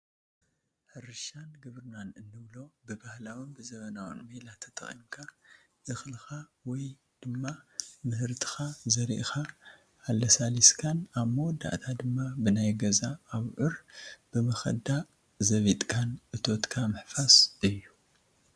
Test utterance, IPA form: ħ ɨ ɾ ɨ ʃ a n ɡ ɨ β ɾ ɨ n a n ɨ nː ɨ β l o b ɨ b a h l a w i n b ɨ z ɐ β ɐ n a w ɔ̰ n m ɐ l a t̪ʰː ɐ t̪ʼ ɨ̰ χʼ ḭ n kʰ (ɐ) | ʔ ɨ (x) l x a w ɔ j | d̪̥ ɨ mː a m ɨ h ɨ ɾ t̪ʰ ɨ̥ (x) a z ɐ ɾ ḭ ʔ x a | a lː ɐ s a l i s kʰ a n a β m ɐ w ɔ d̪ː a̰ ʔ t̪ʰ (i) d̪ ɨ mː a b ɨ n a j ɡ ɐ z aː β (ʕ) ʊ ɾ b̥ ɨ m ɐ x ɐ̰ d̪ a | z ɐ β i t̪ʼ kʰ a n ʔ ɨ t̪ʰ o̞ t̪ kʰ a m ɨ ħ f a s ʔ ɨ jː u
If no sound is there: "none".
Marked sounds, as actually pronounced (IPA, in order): a, x, x, a, ʕ

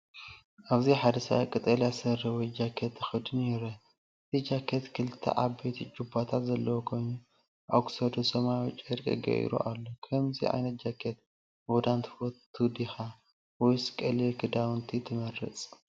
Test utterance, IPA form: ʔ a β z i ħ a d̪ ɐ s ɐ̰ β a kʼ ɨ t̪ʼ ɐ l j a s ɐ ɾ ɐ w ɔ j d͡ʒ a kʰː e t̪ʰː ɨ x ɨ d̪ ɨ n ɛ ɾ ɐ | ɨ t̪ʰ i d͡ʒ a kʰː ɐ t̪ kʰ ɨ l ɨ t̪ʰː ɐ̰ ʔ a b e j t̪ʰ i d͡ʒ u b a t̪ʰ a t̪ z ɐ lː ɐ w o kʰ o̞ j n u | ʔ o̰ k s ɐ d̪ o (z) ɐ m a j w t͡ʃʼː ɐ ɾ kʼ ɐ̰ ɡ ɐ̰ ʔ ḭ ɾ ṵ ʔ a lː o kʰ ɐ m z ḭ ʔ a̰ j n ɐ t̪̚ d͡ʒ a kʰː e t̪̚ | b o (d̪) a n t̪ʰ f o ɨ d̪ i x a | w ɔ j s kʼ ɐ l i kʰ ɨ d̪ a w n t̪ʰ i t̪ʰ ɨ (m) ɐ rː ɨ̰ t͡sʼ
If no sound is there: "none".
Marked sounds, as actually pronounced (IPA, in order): s, d̪, m

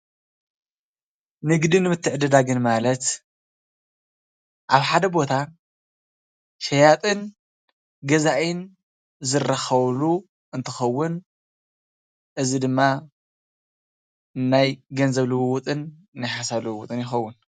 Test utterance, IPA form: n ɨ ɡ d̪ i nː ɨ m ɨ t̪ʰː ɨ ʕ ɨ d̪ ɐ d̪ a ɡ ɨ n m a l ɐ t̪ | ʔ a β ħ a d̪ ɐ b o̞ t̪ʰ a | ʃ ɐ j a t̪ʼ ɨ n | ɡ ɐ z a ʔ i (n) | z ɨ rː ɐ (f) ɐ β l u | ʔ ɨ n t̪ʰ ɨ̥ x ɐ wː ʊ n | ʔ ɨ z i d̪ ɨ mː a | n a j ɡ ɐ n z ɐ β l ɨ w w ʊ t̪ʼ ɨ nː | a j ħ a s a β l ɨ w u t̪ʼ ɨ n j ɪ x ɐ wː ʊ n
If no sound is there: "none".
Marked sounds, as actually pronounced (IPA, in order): n, x

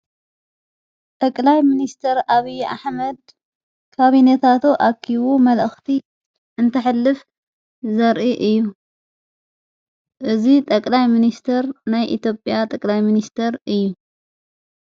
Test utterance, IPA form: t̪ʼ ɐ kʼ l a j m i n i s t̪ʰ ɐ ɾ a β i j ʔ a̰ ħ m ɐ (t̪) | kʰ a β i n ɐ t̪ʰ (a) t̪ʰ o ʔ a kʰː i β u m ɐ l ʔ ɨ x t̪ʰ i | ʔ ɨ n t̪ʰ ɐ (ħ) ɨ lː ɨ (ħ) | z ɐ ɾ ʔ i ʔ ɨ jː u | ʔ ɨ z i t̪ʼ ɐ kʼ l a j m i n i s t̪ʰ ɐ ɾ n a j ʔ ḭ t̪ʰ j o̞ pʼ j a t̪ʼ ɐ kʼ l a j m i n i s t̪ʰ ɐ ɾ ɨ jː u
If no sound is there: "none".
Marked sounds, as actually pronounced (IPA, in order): d̪, a, ħ, f

